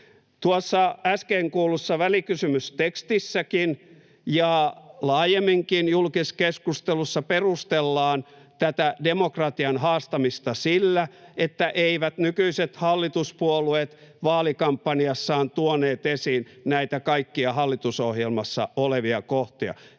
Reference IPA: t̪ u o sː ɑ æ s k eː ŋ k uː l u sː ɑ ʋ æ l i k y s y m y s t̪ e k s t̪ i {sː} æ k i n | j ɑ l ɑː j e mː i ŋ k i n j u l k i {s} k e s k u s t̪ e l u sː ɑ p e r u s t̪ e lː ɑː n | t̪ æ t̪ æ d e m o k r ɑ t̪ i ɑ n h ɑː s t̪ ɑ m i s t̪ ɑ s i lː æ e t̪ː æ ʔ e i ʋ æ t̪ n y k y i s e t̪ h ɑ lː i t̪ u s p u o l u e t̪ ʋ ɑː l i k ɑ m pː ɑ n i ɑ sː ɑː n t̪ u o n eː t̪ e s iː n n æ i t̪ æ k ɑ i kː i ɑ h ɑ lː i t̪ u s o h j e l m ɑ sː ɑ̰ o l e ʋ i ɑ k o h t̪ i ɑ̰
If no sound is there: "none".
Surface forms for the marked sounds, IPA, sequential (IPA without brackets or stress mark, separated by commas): sː, s